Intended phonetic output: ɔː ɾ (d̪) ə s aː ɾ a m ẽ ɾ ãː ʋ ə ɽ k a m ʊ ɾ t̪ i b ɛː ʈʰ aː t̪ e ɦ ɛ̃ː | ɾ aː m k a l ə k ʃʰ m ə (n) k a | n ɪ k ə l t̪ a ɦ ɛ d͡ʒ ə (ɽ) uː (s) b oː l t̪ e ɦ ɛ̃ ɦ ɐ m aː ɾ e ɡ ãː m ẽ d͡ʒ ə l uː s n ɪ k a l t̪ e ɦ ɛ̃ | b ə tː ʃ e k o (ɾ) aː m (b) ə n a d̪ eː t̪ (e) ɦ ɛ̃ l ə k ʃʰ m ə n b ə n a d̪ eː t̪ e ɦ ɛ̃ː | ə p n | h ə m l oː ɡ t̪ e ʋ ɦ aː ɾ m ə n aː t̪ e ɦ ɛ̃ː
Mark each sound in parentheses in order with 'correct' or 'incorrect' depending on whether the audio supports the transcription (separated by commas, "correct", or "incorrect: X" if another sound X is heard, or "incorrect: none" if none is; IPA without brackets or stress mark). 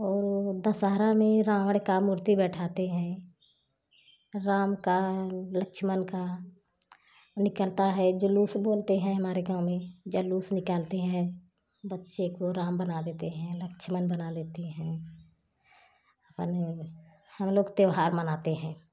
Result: correct, correct, incorrect: l, correct, correct, correct, correct